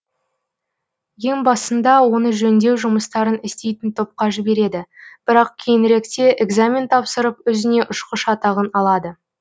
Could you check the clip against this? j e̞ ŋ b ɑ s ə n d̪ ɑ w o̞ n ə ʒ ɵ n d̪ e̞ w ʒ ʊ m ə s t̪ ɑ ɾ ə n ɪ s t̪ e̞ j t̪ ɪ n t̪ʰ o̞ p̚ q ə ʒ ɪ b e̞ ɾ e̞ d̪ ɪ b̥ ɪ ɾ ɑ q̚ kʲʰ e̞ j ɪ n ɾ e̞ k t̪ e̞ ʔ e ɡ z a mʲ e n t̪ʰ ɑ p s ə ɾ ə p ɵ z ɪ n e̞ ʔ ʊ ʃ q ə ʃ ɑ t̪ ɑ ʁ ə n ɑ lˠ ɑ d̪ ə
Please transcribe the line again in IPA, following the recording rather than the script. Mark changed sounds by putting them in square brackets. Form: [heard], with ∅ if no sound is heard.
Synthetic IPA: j e̞ ŋ b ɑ s ə n d̪ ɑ w o̞ n ə ʒ ɵ n d̪ e̞ w ʒ ʊ m ə s t̪ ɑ ɾ ə n ɪ s t̪ e̞ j t̪ ɪ n t̪ʰ o̞ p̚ q [ɑ] ʒ ɪ b e̞ ɾ e̞ d̪ ɪ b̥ ɪ ɾ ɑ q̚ kʲʰ e̞ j ɪ n ɾ e̞ k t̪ e̞ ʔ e ɡ z a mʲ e n t̪ʰ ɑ p s ə ɾ ə p ɵ z ɪ n e̞ ʔ ʊ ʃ q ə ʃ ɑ t̪ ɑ ʁ ə n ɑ lˠ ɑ d̪ ə